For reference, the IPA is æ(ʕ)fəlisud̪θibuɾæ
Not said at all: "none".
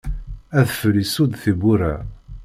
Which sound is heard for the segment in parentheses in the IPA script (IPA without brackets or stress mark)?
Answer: ð